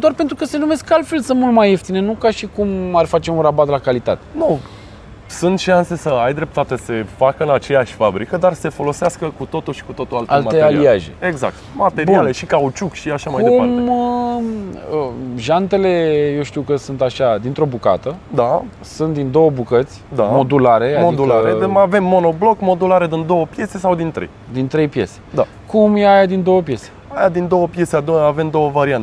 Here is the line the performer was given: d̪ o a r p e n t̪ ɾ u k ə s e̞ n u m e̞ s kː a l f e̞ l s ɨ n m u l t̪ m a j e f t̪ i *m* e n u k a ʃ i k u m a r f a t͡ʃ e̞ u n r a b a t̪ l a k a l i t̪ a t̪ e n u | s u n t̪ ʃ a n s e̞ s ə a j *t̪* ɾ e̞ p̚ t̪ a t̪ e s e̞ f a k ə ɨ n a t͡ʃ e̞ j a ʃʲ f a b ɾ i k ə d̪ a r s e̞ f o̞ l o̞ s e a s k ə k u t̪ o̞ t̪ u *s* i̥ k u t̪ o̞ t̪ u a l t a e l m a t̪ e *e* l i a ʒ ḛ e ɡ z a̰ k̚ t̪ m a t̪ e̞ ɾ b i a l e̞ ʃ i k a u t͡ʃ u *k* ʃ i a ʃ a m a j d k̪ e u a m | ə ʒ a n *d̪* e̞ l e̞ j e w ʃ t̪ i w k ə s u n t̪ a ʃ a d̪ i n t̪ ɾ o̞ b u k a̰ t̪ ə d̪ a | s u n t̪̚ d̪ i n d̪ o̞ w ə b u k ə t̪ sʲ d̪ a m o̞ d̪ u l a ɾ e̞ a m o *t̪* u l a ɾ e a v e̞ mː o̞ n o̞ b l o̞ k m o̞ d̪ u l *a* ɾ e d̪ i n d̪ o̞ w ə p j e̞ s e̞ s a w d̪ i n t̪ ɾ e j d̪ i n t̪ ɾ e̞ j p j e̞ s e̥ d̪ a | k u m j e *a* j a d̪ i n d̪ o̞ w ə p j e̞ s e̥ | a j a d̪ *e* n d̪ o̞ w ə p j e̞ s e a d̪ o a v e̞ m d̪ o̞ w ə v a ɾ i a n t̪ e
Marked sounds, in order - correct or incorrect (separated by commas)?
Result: incorrect, incorrect, incorrect, incorrect, correct, incorrect, incorrect, correct, correct, incorrect